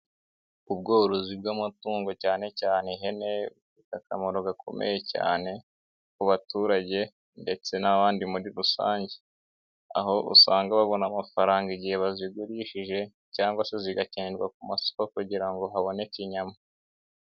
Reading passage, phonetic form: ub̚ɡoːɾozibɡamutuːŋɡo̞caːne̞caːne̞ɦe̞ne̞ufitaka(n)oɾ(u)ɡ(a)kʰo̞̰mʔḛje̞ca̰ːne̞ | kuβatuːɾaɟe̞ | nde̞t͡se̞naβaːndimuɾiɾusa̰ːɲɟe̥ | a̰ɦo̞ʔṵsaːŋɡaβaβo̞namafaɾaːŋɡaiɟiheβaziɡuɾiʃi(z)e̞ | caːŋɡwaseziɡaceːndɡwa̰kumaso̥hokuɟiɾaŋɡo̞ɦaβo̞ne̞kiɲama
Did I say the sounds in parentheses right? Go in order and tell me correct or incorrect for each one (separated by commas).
incorrect, incorrect, correct, incorrect